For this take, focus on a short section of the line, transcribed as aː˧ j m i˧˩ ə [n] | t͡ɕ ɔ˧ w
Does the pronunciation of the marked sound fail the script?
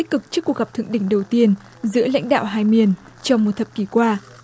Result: no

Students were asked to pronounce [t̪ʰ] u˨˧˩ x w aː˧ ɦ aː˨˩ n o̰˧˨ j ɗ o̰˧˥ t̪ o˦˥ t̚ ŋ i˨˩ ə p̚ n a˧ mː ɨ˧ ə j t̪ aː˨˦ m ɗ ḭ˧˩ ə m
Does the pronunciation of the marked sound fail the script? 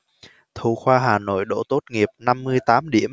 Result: no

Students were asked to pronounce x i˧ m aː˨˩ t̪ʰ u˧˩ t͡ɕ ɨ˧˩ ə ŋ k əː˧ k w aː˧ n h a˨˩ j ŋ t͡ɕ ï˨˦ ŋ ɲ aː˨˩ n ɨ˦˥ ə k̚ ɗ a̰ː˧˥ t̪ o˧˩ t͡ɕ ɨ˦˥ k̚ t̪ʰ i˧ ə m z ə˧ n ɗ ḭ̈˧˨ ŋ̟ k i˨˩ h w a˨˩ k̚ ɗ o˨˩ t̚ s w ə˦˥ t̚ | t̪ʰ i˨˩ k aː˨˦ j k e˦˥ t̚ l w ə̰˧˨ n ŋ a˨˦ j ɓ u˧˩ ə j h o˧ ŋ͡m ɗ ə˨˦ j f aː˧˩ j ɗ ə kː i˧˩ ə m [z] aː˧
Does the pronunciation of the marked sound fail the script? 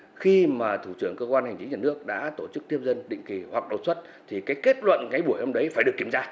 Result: no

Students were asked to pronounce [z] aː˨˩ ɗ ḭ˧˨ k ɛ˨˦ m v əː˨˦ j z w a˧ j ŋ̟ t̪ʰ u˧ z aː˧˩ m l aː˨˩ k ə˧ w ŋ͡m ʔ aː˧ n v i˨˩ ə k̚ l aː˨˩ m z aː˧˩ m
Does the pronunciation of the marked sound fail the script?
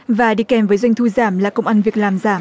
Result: yes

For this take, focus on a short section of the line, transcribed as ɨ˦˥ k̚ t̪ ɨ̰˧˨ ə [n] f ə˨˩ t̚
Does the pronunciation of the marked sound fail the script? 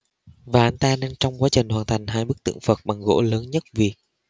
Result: yes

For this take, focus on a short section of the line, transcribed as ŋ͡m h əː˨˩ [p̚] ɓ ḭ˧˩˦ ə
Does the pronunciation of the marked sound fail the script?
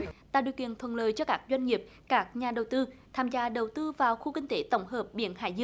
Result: no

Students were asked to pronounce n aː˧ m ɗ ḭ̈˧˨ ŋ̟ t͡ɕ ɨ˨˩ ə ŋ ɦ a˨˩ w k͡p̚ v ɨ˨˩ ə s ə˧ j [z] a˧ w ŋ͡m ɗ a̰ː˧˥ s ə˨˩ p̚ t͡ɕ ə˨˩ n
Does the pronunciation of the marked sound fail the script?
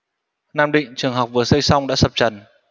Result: yes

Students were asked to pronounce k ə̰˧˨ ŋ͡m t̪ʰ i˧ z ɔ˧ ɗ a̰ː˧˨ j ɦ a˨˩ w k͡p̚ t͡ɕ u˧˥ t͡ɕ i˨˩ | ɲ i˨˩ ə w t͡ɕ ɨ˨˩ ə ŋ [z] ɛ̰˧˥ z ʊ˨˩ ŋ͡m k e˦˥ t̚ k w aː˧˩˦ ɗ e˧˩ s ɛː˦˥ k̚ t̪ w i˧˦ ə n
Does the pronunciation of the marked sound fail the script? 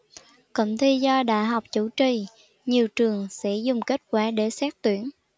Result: yes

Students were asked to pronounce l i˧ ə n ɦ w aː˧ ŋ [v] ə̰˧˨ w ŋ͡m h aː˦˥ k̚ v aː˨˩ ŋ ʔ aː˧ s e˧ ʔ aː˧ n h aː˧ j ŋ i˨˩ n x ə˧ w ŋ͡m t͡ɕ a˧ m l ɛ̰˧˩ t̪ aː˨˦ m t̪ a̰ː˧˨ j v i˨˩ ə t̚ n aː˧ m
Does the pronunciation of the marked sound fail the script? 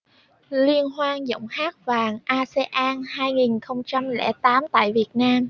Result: yes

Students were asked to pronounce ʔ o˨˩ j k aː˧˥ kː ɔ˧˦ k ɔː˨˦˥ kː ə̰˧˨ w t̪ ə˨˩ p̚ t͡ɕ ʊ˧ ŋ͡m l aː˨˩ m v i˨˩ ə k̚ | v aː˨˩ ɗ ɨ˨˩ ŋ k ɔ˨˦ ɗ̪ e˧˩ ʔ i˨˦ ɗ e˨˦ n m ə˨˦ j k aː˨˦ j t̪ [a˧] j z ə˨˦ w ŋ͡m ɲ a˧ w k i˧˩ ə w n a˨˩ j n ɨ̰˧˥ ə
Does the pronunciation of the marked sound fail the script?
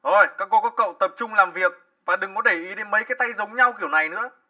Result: no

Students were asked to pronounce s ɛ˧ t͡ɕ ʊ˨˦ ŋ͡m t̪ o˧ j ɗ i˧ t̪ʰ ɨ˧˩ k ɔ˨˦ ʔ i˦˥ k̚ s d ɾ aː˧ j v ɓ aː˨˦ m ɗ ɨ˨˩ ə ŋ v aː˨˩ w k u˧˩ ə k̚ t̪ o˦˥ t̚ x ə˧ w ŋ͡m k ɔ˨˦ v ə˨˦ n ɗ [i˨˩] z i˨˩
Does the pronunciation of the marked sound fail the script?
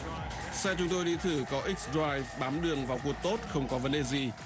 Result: yes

